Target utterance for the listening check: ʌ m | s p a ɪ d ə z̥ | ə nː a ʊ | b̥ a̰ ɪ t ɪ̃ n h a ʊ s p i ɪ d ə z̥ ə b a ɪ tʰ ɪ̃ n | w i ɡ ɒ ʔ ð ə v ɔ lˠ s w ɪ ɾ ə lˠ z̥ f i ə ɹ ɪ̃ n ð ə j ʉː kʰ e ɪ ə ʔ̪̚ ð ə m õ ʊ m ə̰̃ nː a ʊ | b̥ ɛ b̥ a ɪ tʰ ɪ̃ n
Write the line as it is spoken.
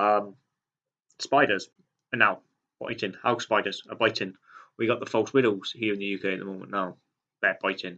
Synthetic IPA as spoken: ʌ m | s p a ɪ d ə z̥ | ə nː a ʊ | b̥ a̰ ɪ t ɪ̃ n h a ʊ s p a ɪ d ə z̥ ə b a ɪ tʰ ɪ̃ n | w i ɡ ɒ ʔ ð ə f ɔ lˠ s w ɪ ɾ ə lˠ z̥ h i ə ɹ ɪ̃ n ð ə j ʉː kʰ e ɪ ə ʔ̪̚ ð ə m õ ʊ m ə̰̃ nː a ʊ | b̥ ɛ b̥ a ɪ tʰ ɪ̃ n

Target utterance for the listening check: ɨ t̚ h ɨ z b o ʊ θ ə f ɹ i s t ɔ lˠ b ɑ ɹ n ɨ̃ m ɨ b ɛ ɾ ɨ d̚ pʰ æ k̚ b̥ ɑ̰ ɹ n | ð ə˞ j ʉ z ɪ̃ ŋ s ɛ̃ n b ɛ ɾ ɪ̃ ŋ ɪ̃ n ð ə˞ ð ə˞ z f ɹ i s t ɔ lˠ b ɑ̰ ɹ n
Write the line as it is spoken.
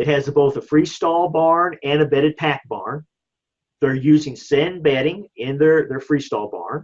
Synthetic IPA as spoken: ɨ t̚ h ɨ z b o ʊ θ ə f ɹ i s t ɔ lˠ b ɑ ɹ n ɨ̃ n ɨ b ɛ ɾ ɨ d̚ pʰ æ k̚ b̥ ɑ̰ ɹ n | ð ə˞ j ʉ z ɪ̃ ŋ s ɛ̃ n b ɛ ɾ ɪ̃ ŋ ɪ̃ n ð ə˞ ð ə˞ f ɹ i s t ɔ lˠ b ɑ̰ ɹ n

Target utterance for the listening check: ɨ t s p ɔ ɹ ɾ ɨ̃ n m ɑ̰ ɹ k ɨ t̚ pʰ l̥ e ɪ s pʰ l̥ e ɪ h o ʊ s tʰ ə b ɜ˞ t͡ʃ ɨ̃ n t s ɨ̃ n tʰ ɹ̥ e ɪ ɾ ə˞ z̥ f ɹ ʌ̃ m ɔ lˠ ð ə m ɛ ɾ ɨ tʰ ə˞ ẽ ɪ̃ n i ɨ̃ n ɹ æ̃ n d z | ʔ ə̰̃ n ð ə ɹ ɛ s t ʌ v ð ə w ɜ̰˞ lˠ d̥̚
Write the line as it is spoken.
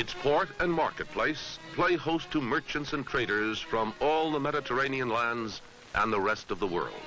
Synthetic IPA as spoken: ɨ t s pʰ ɔ ɹ ɾ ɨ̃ n m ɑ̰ ɹ k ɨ t̚ pʰ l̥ e ɪ s pʰ l̥ e ɪ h o ʊ s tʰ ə m ɜ˞ t͡ʃ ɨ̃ n t s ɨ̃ n tʰ ɹ̥ e ɪ ɾ ə˞ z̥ f ɹ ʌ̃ m ɔ lˠ ð ə m ɛ ɾ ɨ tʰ ə˞ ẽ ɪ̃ n i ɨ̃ n l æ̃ n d z | ʔ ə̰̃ n ð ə ɹ ɛ s t ʌ v ð ə w ɜ̰˞ lˠ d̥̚

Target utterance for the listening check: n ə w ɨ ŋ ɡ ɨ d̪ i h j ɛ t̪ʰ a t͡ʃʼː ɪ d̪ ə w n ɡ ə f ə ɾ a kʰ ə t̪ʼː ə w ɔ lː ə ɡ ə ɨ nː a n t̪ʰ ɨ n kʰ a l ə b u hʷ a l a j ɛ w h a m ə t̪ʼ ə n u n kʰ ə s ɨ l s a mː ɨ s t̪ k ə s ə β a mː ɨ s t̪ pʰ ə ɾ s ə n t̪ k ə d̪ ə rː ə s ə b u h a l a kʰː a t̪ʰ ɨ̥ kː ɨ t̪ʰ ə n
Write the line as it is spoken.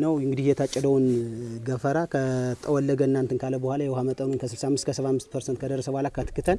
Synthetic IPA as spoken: n ə w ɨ ŋ ɡ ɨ d̪ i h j ɛ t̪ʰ a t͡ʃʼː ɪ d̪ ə w n ɡ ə f ə ɾ a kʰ ə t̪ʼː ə w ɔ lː ə ɡ ə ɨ nː a n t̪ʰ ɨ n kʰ a l ə b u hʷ a l a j ɛ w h a m ə t̪ʼ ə n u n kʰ ə s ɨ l s a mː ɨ s t̪ k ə s ə β a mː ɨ s t̪ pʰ ə ɾ s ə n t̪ k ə d̪ ə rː ə s ə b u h a l a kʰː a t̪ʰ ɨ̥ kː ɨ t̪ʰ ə n

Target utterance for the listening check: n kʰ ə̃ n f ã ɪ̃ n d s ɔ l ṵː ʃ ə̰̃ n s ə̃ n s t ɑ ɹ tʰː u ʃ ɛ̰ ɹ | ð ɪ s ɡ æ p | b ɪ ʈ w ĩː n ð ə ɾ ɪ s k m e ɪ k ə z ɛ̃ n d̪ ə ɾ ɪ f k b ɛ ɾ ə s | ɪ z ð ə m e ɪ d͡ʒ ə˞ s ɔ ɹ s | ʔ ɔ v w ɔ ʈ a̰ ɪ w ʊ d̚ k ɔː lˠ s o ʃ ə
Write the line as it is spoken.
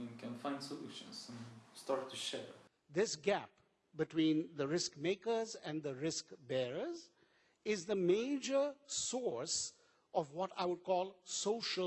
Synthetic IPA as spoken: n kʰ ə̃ n f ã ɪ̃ n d s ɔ l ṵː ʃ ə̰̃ n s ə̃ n s t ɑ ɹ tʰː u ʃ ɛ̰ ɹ | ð ɪ s ɡ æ p | b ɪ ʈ w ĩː n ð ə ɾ ɪ s k m e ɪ k ə z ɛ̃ n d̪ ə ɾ ɪ s k b ɛ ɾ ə z | ɪ z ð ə m e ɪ d͡ʒ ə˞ s ɔ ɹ s | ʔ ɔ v w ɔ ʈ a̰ ɪ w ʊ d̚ k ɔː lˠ s o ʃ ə

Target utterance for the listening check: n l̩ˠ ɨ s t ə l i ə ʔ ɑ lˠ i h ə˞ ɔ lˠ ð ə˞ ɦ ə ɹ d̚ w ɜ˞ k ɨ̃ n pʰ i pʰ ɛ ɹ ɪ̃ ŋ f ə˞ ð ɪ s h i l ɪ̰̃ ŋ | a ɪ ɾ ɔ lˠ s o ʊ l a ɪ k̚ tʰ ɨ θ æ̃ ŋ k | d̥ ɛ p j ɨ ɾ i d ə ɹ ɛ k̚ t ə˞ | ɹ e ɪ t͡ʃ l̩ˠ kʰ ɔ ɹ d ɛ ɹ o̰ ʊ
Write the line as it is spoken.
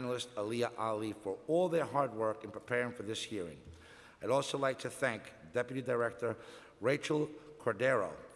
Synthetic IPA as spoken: n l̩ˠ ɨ s t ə l i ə ʔ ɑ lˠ i f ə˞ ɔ lˠ ð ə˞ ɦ ɑ ɹ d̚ w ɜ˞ k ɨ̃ n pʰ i pʰ ɛ ɹ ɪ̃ ŋ f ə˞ ð ɪ s h i ɹ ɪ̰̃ ŋ | a ɪ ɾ ɔ lˠ s o ʊ l a ɪ k̚ tʰ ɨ θ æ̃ ŋ k | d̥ ɛ p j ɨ ɾ i d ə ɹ ɛ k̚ t ə˞ | ɹ e ɪ t͡ʃ l̩ˠ kʰ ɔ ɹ d ɛ ɹ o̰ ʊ

